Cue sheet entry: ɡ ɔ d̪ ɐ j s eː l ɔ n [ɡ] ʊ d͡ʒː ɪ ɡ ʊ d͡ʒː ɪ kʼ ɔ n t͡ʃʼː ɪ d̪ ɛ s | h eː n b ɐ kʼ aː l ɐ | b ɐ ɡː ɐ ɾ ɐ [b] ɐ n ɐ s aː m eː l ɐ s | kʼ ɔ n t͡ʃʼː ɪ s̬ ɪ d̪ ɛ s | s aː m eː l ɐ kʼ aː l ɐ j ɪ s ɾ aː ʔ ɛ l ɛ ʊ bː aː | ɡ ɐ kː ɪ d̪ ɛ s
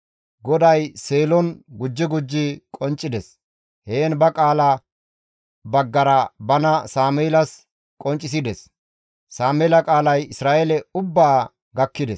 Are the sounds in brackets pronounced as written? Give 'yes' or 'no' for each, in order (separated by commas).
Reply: yes, yes